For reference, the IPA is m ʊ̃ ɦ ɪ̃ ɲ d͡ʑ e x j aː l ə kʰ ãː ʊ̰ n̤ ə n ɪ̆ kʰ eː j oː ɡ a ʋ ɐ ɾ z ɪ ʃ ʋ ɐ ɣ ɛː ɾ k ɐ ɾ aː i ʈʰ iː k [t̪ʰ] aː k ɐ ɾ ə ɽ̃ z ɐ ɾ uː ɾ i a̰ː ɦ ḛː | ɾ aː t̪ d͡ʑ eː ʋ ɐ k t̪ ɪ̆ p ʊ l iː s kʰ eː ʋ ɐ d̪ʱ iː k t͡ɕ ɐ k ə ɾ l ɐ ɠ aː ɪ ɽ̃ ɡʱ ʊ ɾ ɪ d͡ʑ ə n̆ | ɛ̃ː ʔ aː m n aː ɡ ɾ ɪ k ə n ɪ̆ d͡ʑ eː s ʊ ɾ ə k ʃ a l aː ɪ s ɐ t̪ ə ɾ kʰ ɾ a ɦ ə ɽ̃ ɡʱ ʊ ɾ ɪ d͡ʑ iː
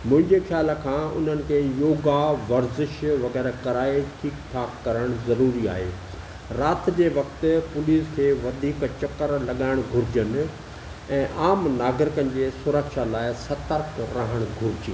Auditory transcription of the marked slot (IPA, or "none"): t̪ʰ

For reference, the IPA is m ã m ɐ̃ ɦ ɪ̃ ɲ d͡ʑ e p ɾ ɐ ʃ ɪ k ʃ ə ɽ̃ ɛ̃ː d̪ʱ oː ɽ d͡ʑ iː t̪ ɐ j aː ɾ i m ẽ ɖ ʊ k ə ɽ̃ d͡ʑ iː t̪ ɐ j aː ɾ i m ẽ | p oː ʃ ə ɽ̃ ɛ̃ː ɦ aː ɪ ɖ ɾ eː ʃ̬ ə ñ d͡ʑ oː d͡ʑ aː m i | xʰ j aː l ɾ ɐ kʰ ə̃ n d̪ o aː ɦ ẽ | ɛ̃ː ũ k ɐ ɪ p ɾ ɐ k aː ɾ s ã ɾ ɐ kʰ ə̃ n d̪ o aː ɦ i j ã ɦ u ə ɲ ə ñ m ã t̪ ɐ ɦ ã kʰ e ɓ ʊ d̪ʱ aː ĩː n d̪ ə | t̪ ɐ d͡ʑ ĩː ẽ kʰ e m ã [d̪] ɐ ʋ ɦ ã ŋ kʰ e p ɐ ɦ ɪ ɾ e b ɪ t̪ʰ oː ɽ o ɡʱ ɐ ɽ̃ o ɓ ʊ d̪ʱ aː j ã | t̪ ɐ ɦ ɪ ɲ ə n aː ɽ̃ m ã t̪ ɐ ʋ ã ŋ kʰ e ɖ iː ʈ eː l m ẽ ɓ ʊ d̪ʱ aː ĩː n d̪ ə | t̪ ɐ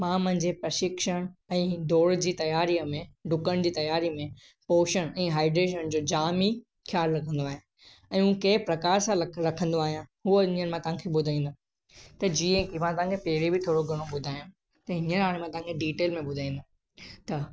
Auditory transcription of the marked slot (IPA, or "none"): t̪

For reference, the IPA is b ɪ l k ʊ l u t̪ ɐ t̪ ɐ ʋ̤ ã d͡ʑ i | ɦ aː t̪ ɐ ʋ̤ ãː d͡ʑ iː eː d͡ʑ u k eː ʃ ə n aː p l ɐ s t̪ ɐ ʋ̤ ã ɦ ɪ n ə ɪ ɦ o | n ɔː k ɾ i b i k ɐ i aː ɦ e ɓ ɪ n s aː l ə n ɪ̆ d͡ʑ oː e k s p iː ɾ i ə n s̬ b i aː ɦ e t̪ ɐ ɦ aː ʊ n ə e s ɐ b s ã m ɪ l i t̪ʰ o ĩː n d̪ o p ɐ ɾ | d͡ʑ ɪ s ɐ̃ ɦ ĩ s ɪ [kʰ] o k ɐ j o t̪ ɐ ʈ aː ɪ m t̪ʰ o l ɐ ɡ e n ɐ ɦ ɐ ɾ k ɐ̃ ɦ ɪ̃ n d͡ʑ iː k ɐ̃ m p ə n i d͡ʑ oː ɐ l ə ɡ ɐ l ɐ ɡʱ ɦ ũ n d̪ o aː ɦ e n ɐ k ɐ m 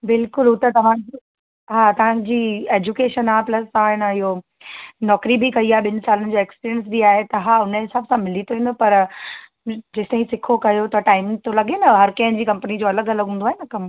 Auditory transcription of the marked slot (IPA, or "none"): kʰ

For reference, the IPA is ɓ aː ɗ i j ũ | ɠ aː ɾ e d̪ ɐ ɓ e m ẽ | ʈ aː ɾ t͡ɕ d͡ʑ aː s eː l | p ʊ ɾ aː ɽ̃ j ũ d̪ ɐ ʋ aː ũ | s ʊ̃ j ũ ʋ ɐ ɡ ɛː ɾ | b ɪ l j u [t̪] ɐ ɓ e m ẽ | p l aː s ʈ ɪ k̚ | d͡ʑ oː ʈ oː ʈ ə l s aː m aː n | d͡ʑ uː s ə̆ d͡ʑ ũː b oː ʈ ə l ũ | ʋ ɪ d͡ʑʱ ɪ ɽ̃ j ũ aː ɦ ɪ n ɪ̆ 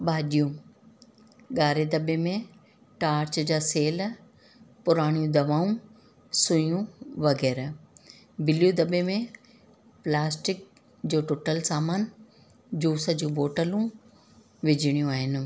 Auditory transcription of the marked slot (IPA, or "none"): d̪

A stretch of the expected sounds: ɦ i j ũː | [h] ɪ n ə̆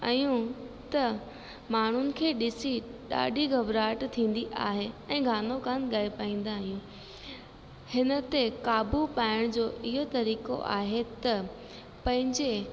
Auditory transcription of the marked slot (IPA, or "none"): h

